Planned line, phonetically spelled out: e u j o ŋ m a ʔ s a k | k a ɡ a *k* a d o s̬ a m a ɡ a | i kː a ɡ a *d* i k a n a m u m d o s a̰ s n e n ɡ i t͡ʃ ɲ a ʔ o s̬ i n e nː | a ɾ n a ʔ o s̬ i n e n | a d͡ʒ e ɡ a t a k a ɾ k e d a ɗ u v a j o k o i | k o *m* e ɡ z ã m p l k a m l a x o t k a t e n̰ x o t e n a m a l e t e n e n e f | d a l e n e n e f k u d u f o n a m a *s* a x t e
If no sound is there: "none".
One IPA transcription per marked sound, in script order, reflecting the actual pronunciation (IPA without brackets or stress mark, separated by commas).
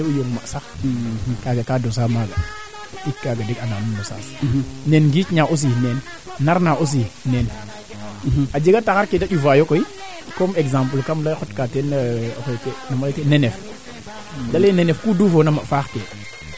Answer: k, d, m, f